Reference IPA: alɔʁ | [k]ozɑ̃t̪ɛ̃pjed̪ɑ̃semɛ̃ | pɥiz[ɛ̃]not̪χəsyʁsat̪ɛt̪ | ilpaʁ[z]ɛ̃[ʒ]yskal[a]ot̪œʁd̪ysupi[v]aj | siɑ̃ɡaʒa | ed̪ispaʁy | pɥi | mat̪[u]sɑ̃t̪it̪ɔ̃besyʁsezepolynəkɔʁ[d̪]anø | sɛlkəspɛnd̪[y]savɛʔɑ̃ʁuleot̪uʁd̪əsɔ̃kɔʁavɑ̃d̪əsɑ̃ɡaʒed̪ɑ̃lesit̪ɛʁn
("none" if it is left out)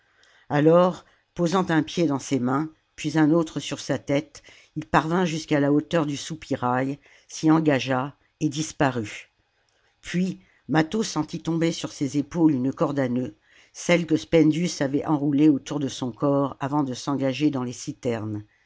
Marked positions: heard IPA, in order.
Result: p, ɛ̃, v, ʒ, a, ʁ, o, d̪, y

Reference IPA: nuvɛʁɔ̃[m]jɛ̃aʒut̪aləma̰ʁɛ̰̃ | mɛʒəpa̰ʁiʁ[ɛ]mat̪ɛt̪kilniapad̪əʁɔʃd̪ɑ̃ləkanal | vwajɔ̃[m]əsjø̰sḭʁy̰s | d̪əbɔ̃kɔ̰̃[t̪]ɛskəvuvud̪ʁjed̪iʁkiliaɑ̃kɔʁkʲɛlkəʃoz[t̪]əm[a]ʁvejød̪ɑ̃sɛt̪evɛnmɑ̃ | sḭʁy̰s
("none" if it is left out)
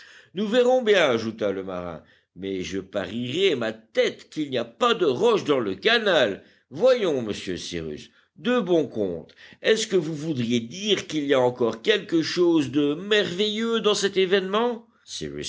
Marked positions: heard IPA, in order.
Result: b, ɛ, m, t̪, d̪, ɛ

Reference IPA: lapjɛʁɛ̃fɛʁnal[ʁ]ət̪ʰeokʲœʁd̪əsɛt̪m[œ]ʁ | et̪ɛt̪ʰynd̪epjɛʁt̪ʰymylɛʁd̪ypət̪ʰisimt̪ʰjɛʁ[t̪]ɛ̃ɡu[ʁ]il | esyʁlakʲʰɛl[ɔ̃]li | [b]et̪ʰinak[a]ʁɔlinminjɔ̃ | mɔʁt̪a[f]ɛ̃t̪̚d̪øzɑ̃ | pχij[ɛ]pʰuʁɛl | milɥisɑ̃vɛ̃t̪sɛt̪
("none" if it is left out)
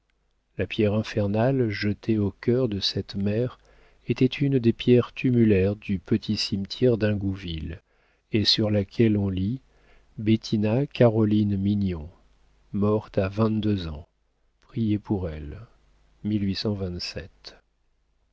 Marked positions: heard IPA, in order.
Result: ʒ, ɛ, d̪, v, ɔ̃, b, a, v, e

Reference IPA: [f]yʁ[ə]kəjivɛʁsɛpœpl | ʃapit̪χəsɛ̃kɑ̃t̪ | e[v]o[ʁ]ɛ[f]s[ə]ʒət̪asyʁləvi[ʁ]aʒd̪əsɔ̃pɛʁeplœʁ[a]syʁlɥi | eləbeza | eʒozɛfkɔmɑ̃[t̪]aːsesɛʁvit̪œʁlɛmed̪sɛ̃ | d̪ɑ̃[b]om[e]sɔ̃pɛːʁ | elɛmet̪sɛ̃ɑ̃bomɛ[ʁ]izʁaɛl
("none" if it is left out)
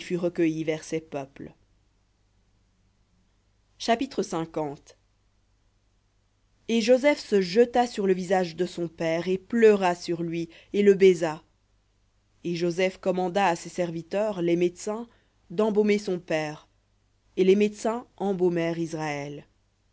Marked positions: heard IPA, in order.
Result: f, ə, ʒ, z, f, ə, z, a, d̪, b, e, ʁ

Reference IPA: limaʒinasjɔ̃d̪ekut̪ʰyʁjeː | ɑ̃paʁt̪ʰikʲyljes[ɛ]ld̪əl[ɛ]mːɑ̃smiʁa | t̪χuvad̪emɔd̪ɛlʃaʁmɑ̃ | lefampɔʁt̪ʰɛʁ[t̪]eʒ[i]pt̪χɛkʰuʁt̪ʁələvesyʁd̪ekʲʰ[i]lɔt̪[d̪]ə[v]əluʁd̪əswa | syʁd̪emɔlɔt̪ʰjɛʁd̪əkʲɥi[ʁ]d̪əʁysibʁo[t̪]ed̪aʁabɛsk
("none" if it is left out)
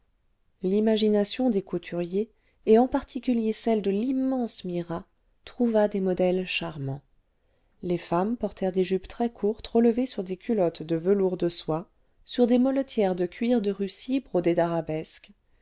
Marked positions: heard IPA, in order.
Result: ɛ, i, d̪, y, y, d̪, v, ʁ, d̪

